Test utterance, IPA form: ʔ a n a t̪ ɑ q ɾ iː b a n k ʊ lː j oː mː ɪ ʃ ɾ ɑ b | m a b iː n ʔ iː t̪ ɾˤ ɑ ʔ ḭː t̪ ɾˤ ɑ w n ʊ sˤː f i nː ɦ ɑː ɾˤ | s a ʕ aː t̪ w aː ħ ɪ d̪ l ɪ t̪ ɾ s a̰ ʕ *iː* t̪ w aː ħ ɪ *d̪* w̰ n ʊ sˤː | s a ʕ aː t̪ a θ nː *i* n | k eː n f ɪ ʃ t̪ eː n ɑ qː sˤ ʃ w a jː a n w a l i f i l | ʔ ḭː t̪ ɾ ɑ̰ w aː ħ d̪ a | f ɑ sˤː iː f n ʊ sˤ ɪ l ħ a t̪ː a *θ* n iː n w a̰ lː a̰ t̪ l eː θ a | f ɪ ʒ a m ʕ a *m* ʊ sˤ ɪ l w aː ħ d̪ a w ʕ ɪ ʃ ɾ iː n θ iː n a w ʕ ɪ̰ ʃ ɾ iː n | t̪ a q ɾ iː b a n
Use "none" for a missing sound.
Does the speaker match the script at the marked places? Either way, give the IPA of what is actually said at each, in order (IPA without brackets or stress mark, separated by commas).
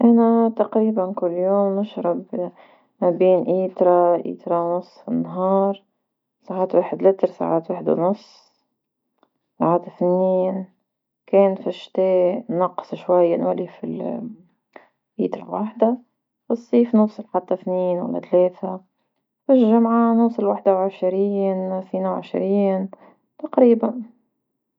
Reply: aː, d̪, iː, θ, n